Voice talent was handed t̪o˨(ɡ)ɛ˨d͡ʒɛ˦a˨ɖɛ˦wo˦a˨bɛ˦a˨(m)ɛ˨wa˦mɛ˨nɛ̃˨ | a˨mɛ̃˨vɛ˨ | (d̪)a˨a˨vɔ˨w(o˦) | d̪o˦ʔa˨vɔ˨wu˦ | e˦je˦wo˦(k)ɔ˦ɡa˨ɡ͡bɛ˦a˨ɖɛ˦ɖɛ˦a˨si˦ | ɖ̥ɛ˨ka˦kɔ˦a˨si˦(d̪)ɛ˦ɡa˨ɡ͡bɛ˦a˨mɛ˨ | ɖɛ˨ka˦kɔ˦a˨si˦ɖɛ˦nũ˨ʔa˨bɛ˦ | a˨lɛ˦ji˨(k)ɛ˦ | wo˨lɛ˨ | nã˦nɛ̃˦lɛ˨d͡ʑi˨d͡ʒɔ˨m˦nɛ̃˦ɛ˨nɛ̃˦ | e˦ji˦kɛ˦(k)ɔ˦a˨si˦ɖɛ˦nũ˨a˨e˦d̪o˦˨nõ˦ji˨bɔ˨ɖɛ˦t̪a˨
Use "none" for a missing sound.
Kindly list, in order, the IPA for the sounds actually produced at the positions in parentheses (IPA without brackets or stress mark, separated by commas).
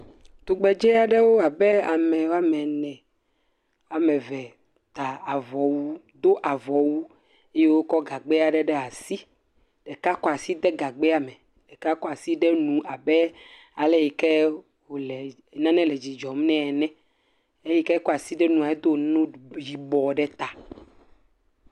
ɡ͡b, m, t̪, u˦, k, d̪, k, k